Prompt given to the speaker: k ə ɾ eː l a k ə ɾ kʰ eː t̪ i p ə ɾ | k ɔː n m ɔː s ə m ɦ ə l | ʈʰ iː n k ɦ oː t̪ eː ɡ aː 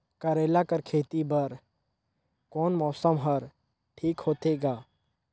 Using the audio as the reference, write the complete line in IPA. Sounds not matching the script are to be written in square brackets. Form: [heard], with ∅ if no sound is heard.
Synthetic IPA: k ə ɾ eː l a k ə ɾ kʰ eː t̪ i [b] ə ɾ | k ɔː n m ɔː s ə m ɦ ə [ɾ] | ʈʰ iː [∅] k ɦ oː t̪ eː ɡ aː